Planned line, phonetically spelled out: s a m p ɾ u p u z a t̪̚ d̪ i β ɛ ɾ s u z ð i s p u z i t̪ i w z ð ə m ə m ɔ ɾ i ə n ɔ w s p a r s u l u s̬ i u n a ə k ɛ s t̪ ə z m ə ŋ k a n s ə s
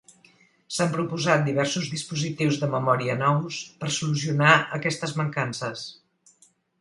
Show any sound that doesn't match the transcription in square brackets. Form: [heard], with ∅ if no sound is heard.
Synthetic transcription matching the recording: s a m p ɾ u p u z a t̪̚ d̪ i β ɛ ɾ s u z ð i s p u z i t̪ i w z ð ə m ə m ɔ ɾ i ə n ɔ w s p [ə] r s u l u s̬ i u n a ə k ɛ s t̪ ə z m ə ŋ k a n s ə s

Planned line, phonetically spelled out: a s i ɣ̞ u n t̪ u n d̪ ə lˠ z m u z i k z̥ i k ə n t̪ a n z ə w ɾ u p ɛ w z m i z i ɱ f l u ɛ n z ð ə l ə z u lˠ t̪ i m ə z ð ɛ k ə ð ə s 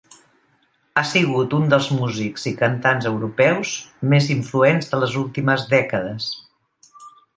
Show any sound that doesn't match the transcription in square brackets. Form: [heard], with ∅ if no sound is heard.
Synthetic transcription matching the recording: a s i ɣ̞ u [∅] t̪ u n d̪ ə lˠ z m u z i k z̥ i k ə n t̪ a n z ə w ɾ u p ɛ w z m [e] z i ɱ f l u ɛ n z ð ə l ə z u lˠ t̪ i m ə z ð ɛ k ə ð ə s

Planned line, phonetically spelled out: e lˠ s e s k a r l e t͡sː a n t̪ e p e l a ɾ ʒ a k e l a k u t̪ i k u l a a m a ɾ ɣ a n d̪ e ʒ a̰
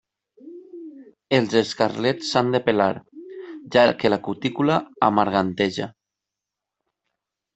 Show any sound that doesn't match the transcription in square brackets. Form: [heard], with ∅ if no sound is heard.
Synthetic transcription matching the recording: e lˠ [z] e s k a r l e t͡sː a n [d̪] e p e l a ɾ ʒ a k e l a k u t̪ i k u l a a m a ɾ ɣ a n [t̪] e ʒ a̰

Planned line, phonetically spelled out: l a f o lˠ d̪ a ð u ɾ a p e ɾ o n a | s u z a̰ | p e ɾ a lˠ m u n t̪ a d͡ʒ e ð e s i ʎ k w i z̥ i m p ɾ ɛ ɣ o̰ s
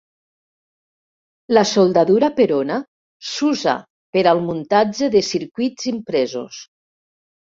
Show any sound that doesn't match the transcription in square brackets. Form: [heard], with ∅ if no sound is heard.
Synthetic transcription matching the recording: l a [s] o lˠ d̪ a ð u ɾ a p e ɾ o n a | s u z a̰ | p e ɾ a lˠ m u n t̪ a d͡ʒ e ð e s i [ɾ] k w i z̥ i m p ɾ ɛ [z] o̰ s

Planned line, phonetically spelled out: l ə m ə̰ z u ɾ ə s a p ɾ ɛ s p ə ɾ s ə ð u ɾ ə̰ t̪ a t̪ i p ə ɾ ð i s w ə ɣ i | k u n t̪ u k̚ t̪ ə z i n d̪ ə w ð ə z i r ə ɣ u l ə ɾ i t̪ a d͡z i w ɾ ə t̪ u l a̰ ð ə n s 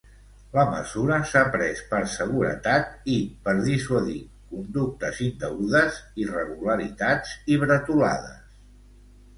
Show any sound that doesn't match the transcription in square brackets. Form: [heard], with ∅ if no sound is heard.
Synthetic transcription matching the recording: l ə m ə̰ z u ɾ ə s a p ɾ ɛ s p ə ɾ s ə [ɣ] u ɾ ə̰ t̪ a t̪ i p ə ɾ ð i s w ə [ð] i | k u n [d̪] u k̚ t̪ ə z i n d̪ ə [u] ð ə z i r ə ɣ u l ə ɾ i t̪ a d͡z i [β] ɾ ə t̪ u l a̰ ð ə [∅] s

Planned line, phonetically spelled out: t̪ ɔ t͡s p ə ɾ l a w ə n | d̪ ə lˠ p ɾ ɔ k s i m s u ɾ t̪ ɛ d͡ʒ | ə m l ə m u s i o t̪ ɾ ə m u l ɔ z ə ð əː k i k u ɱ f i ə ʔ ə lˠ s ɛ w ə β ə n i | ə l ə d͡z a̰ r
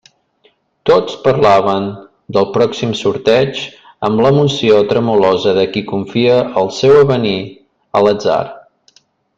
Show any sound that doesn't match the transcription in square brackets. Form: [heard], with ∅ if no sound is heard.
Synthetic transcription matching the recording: t̪ [o] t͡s p ə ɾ l a [β] ə n | d̪ ə lˠ p ɾ ɔ k s i m s u ɾ t̪ ɛ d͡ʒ | ə m l ə m u s i o t̪ ɾ ə m u l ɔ z ə ð [ə] k i k u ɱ f i ə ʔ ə lˠ s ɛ w ə β ə n i | ə l ə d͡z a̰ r

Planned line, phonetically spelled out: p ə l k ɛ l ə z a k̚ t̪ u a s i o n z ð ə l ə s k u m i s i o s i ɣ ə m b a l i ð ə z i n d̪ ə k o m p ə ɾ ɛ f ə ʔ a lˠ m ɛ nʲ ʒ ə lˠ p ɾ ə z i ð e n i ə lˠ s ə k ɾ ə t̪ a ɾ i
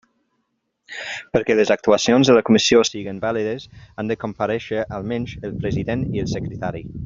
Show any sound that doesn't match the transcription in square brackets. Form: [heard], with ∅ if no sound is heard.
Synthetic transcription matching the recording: p ə [ɾ] k ɛ l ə z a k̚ t̪ u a s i o n z ð ə l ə [∅] k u m i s i o s i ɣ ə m b a l i ð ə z [a] n d̪ ə k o m p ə ɾ ɛ [ʃ] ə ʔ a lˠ m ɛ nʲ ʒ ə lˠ p ɾ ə z i ð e n i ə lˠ s ə k ɾ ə t̪ a ɾ i

